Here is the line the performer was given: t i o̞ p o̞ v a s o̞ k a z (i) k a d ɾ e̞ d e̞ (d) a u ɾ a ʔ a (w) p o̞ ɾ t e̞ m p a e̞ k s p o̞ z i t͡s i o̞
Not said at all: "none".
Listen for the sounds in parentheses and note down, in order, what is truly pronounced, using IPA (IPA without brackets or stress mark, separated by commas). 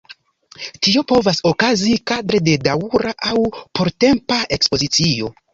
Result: i, d, w